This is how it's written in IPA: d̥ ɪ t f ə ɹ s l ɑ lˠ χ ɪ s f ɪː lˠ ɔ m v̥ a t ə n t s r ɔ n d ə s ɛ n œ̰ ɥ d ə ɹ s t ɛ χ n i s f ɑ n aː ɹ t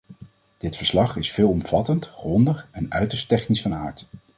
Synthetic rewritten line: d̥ ɪ t f ə ɹ s l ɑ χ ɪ s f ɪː lˠ ɔ m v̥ ɑ t ə n t χ r ɔ n d ə χ ɛ n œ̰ ɥ t ə ɹ s t ɛ χ n i s f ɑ n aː ɹ t